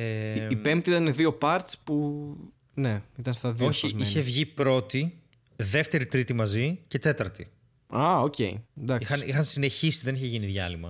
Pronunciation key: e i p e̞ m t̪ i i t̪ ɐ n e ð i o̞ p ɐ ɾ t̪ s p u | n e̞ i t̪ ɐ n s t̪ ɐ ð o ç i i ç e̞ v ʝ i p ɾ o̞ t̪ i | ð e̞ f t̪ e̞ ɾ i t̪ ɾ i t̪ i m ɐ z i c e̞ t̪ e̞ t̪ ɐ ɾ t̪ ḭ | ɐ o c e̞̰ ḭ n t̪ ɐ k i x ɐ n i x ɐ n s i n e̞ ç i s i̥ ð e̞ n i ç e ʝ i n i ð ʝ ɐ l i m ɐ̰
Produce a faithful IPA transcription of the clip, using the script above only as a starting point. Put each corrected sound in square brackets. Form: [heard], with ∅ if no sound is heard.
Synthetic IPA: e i p e̞ m t̪ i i t̪ ɐ n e ð i o̞ p ɐ ɾ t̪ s p u | n e̞ i t̪ ɐ n s t̪ ɐ ð o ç i i ç e̞ v ʝ i p ɾ o̞ t̪ i | ð e̞ f t̪ e̞ ɾ i t̪ ɾ i t̪ i m ɐ z i c e̞ t̪ e̞ t̪ ɐ ɾ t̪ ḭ | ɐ o c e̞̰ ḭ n [d̪] ɐ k i x ɐ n i x ɐ n s i n e̞ ç i s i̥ ð e̞ n i ç e ʝ i n i ð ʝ ɐ l i m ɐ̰